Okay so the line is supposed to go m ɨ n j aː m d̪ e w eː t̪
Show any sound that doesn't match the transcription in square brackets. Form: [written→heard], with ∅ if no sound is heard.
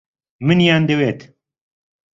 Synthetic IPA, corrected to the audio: m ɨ n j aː [m→n] d̪ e w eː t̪